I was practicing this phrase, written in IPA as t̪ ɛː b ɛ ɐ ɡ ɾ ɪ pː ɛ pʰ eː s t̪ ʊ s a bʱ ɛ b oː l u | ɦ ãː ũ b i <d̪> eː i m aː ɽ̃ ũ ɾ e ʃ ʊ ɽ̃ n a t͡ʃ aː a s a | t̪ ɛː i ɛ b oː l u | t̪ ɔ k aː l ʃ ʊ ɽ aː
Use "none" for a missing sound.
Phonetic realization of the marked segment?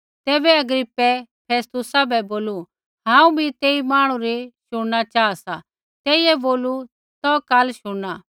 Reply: t̪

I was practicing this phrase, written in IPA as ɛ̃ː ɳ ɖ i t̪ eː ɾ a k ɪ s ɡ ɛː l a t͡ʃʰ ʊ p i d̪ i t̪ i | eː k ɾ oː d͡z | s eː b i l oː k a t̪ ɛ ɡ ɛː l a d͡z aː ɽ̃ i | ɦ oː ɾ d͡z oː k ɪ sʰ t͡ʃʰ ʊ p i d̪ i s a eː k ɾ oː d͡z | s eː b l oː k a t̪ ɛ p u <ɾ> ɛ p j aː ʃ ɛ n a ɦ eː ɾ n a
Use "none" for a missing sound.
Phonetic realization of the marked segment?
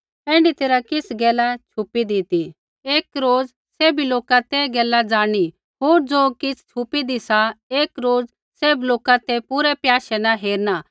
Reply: ɾ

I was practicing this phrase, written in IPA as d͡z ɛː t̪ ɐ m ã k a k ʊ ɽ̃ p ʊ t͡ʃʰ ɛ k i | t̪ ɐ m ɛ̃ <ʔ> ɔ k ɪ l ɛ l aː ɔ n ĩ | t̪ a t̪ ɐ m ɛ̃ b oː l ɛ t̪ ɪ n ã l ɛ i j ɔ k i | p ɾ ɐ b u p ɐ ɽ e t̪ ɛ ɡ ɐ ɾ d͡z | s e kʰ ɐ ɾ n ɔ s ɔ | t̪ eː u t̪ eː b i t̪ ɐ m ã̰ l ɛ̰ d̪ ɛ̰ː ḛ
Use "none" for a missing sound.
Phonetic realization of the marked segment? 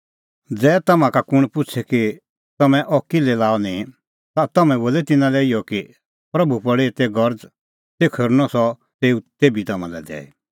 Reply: ʔ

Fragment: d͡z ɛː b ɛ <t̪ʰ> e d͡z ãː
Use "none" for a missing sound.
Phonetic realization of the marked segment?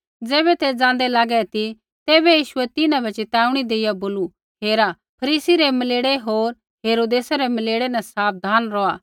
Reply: t̪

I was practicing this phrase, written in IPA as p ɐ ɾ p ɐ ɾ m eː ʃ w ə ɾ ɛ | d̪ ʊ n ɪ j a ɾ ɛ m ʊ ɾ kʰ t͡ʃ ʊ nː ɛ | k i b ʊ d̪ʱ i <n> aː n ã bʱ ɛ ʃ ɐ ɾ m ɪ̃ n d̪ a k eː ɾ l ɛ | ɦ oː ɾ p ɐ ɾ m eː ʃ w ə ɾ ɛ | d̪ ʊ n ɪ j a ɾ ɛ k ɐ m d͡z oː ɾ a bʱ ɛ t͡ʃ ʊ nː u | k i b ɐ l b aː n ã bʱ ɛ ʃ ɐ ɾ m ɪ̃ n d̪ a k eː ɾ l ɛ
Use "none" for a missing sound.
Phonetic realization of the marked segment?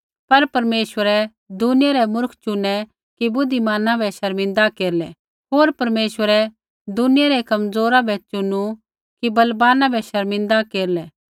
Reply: m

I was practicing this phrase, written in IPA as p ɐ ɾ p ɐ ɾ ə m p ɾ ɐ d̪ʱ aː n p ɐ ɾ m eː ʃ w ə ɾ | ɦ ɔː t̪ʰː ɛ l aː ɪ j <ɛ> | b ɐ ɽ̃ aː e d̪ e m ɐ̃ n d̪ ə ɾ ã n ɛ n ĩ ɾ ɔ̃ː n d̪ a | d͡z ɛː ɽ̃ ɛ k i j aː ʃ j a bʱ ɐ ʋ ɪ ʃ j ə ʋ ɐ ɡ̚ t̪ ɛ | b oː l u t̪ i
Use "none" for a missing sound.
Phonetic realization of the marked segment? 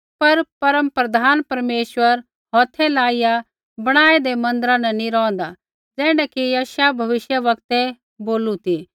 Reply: a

